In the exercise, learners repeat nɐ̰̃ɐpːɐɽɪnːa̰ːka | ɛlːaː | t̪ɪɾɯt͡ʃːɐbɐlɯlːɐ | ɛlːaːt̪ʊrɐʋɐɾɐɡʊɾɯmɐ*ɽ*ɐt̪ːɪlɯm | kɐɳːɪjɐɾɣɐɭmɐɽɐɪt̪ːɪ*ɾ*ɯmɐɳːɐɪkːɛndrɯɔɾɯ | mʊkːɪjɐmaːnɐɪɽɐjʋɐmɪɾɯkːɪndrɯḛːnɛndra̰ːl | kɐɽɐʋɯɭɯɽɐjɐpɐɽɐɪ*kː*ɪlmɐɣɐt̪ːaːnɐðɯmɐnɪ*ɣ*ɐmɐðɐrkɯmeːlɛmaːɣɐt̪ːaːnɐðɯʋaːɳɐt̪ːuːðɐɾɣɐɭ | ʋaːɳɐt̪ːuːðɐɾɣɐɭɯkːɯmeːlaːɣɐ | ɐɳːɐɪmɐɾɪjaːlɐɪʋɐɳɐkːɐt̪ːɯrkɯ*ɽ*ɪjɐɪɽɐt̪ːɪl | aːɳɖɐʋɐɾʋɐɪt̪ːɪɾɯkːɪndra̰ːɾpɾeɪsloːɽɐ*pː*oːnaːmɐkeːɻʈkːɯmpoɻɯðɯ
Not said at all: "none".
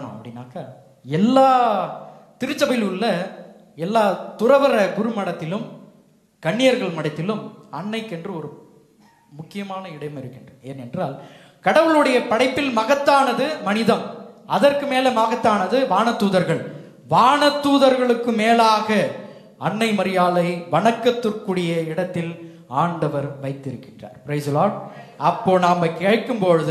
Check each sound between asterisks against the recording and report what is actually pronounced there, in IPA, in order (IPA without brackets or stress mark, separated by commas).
ɽ, l, pː, ð, ɽ, pː